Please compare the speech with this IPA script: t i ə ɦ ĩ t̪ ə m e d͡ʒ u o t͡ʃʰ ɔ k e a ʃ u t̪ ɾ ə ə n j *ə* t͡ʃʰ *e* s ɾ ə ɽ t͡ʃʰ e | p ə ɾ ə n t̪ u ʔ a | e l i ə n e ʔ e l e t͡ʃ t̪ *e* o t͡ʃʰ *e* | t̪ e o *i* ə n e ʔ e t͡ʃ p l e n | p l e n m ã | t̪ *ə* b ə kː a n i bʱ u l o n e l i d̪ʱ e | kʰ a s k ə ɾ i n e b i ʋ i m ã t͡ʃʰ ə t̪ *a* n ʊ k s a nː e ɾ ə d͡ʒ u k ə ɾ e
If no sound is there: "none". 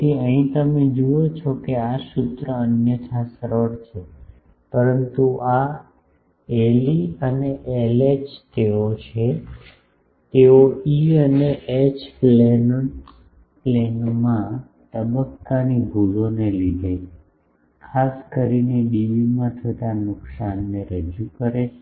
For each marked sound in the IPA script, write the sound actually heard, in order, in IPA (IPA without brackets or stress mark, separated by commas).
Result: ə, a, e, e, i, ə, a